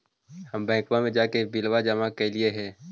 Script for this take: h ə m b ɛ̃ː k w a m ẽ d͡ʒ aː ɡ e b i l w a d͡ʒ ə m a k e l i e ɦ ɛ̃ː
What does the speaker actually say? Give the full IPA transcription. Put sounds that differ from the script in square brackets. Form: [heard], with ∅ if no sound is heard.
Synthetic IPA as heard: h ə m b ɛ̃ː k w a m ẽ d͡ʒ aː [k] e b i l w a d͡ʒ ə m a k e l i e ɦ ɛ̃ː